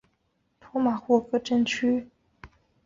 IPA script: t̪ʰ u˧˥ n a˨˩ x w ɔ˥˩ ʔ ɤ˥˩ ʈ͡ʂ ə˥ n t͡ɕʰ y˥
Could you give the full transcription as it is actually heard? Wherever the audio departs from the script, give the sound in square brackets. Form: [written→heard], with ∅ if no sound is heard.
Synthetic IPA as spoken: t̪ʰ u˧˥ [n→m] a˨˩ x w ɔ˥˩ [ʔ→k] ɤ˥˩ ʈ͡ʂ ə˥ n t͡ɕʰ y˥